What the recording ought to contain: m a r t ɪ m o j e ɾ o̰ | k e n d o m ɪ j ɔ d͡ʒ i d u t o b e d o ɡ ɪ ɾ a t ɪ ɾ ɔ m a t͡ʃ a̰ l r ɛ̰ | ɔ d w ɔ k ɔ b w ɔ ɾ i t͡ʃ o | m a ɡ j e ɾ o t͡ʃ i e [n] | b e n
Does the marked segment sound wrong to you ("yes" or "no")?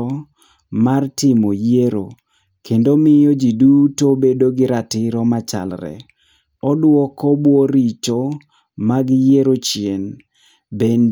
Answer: no